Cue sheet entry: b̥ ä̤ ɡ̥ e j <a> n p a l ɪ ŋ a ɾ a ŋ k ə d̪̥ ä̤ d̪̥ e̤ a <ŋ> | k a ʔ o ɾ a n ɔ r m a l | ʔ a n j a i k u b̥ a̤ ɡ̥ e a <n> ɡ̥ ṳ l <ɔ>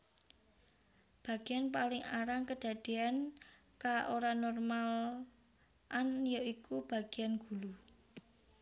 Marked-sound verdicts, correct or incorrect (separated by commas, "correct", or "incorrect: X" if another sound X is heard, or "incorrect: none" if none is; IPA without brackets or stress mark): correct, incorrect: n, correct, incorrect: u